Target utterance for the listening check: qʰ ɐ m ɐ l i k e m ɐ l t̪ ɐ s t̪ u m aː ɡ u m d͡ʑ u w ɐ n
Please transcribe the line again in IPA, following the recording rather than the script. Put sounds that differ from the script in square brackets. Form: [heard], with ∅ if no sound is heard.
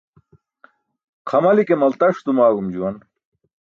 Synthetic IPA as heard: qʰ ɐ m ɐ l i k e m ɐ l t̪ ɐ [ʂ] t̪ u m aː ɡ u m d͡ʑ u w ɐ n